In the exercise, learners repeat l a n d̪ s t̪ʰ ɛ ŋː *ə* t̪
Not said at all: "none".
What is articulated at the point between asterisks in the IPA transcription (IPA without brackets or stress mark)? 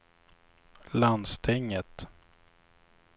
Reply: ə